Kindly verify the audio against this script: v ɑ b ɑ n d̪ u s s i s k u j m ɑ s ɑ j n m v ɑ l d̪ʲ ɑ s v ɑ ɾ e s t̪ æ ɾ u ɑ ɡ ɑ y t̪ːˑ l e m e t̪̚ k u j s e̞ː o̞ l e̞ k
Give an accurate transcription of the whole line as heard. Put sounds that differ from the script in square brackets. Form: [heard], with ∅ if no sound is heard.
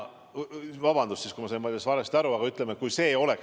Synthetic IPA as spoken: v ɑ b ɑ n d̪ u s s i s k u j m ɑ s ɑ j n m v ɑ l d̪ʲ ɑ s v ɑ ɾ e s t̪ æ ɾ u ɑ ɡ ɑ y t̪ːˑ l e m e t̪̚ k u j s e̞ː o̞ l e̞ k